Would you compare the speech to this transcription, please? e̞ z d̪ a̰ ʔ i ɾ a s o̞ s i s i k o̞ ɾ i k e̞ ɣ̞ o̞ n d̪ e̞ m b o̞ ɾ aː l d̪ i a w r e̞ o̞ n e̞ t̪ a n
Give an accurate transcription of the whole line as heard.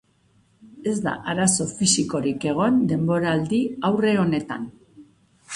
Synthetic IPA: e̞ z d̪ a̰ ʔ a ɾ a s o̞ f i s i k o̞ ɾ i k e̞ ɣ̞ o̞ n d̪ e̞ m b o̞ ɾ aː l d̪ i a w r e̞ o̞ n e̞ t̪ a n